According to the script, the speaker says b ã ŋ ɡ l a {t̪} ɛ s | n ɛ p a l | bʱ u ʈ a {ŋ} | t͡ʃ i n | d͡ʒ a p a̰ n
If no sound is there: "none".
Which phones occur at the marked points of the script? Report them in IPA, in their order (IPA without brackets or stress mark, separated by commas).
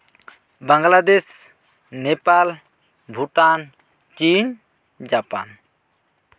d̪, n